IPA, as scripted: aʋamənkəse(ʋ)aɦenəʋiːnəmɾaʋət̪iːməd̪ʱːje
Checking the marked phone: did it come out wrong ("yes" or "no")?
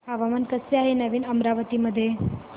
yes